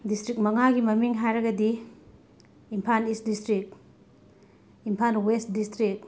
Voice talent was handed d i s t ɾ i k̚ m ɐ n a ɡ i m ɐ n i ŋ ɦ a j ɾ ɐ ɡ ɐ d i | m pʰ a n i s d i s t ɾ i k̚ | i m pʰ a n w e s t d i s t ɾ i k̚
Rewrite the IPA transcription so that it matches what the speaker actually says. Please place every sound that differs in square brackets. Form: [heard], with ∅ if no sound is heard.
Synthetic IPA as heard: d i s t ɾ i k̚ m ɐ [ŋ] a ɡ i m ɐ [m] i ŋ ɦ a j ɾ ɐ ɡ ɐ d i | m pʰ a n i s d i s t ɾ i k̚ | i m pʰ a n w e s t d i s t ɾ i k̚

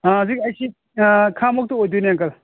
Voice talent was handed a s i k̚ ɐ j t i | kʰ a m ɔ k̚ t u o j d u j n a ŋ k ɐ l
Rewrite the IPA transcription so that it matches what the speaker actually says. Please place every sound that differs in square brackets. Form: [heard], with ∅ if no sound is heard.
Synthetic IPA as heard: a [z] i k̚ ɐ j [s] i | kʰ a m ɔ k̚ t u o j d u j n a ŋ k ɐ l

